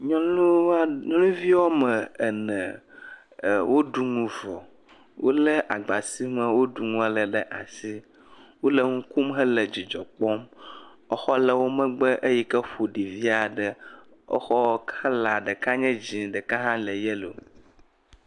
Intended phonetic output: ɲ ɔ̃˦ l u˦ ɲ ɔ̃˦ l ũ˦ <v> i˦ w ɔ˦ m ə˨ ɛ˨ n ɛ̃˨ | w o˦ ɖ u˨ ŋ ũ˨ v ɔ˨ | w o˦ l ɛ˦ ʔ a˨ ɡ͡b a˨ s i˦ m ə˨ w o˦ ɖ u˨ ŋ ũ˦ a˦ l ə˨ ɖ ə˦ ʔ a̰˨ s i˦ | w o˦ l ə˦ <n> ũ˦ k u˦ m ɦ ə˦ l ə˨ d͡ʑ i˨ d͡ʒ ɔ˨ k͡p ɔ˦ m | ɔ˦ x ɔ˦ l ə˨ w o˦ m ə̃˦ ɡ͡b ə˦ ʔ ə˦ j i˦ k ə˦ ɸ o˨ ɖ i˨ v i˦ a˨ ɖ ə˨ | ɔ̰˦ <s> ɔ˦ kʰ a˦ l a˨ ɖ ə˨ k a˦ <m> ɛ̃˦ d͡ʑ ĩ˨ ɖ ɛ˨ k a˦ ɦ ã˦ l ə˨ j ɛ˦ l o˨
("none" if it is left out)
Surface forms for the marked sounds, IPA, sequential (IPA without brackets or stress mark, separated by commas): v, ŋ, x, ɲ